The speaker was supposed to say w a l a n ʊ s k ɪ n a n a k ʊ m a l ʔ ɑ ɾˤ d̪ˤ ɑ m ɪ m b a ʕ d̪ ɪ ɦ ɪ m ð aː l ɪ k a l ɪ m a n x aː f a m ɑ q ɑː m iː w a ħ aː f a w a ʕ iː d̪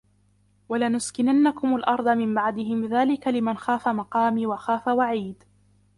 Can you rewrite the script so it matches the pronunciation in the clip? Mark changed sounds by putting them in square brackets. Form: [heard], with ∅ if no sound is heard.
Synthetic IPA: w a l a n ʊ s k ɪ n a [nː] a k ʊ m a l ʔ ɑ ɾˤ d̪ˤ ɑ m ɪ m b a ʕ d̪ ɪ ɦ ɪ m ð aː l ɪ k a l ɪ m a n x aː f a m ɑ q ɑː m iː w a [x] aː f a w a ʕ iː d̪